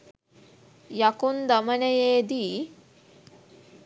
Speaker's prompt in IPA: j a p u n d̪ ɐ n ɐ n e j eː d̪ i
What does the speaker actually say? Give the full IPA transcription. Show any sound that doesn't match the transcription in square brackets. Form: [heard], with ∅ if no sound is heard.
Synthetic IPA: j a [k] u n d̪ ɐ [m] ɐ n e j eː d̪ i

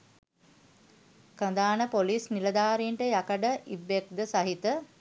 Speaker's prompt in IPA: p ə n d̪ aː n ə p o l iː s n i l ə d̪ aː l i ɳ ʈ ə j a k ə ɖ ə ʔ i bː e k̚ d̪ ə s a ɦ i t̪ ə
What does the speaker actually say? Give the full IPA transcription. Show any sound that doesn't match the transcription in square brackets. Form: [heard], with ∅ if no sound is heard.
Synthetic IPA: [k] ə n d̪ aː n ə p o l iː s n i l ə d̪ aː [ɾ] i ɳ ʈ ə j a k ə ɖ ə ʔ i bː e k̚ d̪ ə s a ɦ i t̪ ə

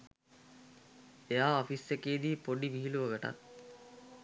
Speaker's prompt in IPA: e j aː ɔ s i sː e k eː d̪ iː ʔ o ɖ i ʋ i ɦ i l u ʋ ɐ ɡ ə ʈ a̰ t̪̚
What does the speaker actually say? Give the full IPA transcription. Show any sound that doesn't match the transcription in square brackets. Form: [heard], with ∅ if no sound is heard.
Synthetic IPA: e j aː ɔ [f] i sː e k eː d̪ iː [p] o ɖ i ʋ i ɦ i l u ʋ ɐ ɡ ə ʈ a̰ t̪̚

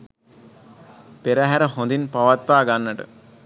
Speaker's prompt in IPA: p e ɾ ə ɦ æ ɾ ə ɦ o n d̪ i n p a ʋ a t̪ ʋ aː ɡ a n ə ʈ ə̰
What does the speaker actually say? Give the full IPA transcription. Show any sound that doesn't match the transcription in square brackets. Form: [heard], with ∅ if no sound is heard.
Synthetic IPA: p e ɾ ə ɦ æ ɾ ə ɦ o n d̪ i n p a ʋ a t̪ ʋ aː ɡ a [nː] ə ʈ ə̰

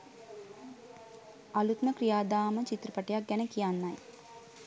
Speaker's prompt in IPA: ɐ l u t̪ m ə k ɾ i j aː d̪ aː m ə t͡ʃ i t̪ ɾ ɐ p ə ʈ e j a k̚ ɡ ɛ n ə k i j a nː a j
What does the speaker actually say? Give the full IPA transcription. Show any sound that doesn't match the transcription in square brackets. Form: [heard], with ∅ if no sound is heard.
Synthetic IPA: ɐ l u t̪ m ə k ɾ i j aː d̪ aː m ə t͡ʃ i t̪ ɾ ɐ p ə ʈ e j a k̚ ɡ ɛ n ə k i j a nː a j

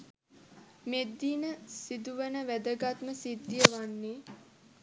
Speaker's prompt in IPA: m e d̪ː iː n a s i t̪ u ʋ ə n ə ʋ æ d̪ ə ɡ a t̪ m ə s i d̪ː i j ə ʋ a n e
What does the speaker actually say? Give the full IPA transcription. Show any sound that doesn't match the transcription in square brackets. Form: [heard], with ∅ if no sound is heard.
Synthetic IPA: m e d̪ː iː n [ə] s i [d̪] u ʋ ə n ə ʋ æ d̪ ə ɡ a t̪ m ə s i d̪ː i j ə ʋ a [nː] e

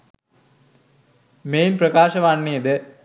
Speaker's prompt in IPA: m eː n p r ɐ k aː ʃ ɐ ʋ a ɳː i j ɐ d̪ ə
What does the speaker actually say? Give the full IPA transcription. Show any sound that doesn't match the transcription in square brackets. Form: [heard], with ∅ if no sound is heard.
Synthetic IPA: m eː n p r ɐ k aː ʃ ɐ ʋ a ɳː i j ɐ d̪ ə

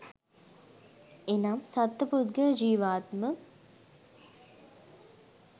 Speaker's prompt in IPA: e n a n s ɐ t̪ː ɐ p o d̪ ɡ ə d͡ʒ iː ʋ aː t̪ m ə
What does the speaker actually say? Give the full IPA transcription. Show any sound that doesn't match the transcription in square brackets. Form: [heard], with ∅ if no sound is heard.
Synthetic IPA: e n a [m] s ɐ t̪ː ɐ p [u] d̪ ɡ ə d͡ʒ iː ʋ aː t̪ m ə

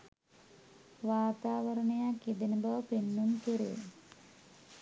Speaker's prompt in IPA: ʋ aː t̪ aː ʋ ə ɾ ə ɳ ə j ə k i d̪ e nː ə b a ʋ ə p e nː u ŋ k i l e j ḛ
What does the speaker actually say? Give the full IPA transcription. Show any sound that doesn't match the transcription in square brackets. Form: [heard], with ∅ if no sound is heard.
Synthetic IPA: ʋ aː t̪ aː ʋ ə ɾ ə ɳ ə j [a] k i d̪ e [n] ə b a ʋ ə p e nː u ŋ k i [ɾ] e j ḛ

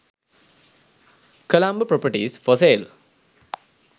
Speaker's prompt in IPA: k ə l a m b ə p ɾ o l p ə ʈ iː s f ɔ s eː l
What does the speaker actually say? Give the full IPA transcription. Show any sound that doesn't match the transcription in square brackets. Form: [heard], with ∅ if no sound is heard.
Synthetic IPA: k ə l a m b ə p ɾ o [∅] p ə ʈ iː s f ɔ s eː l

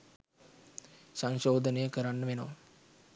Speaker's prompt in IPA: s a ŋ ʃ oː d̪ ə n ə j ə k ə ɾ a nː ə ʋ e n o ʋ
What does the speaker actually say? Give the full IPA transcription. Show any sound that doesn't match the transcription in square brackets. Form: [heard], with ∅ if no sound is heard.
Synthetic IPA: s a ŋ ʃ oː d̪ ə n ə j ə k ə ɾ a nː ə ʋ e n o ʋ

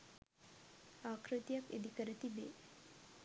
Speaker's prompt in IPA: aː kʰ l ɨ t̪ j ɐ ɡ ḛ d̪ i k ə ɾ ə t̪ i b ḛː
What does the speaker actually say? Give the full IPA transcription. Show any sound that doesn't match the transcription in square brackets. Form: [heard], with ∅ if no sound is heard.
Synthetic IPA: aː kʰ [ɾ] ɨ t̪ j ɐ [k] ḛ d̪ i k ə ɾ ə t̪ i b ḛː

